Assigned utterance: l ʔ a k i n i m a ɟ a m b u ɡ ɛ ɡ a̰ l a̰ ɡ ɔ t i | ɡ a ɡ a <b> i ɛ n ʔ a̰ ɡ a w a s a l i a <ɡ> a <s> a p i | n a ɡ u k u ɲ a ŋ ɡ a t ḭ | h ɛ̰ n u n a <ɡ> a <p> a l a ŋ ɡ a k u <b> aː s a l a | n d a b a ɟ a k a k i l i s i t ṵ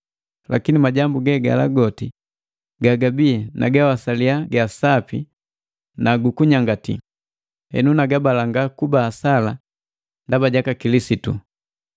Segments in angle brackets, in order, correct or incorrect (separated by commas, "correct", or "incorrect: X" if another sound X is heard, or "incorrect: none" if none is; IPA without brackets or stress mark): correct, correct, correct, correct, incorrect: b, correct